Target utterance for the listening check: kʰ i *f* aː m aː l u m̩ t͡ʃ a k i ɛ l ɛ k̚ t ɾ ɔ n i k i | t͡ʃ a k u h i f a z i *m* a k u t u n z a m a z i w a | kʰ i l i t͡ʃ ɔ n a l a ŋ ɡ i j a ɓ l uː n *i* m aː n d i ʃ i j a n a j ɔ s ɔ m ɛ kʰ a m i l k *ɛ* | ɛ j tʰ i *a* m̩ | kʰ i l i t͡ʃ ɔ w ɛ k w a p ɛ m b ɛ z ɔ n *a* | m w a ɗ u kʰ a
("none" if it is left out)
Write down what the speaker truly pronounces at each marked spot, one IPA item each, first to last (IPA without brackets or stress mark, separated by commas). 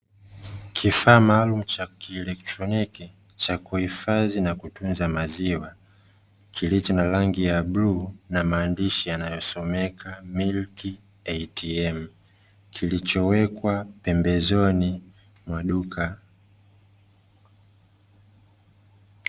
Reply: f, n, a, i, ɛ, i